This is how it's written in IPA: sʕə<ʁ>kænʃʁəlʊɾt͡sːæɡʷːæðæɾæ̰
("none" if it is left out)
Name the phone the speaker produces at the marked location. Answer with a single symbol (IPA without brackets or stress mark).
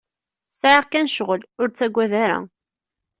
ʁ